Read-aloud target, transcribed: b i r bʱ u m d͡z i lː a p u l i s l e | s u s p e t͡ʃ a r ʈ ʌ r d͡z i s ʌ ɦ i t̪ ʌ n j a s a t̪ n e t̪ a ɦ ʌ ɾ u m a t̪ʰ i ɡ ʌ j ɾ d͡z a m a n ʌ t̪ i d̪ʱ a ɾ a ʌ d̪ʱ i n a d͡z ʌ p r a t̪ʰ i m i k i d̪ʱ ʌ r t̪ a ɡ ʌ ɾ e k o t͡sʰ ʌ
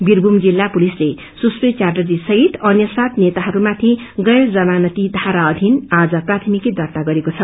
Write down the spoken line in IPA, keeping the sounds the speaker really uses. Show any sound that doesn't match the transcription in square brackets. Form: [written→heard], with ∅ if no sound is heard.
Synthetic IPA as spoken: b i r bʱ u m d͡z i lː a p u l i s l e | s u s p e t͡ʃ a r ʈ ʌ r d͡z i s ʌ ɦ i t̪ ʌ n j [a→ʌ] s a t̪ n e t̪ a ɦ ʌ ɾ u m a t̪ʰ i ɡ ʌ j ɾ d͡z [a→ʌ] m a n ʌ t̪ i d̪ʱ a ɾ a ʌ d̪ʱ i n a d͡z ʌ p r a t̪ʰ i m i k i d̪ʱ ʌ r t̪ a ɡ ʌ ɾ e k o t͡sʰ ʌ